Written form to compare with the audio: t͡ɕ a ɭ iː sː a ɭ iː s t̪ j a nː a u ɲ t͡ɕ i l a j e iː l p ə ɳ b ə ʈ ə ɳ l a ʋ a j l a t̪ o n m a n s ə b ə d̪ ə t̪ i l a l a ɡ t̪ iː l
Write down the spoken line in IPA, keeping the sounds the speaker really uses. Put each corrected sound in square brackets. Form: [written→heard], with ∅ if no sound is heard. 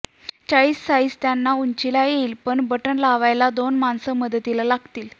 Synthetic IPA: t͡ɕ a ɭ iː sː a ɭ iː s t̪ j a nː a u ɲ t͡ɕ i l a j e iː l p ə ɳ b ə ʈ ə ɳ l a ʋ a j l a [t̪→d̪] o n m a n s ə [b→m] ə d̪ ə t̪ i l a l a ɡ t̪ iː l